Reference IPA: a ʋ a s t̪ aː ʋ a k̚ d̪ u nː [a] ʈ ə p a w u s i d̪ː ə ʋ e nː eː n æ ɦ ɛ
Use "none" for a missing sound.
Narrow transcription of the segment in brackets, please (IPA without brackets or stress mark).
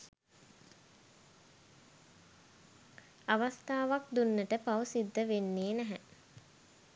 ə